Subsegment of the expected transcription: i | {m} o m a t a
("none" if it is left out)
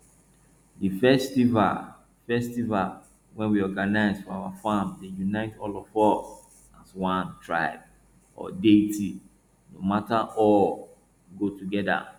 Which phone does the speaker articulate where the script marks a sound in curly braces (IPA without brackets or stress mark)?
n